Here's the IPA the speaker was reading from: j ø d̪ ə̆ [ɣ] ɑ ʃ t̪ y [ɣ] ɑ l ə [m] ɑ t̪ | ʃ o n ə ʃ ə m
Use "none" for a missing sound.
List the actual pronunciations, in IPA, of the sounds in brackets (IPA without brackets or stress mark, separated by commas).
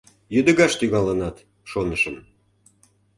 ɣ, ɣ, n